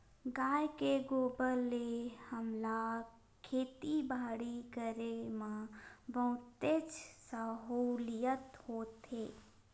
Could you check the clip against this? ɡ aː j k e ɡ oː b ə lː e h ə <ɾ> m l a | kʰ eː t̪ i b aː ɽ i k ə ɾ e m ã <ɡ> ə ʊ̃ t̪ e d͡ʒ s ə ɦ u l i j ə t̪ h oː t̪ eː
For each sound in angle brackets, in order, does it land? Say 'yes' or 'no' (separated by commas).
no, no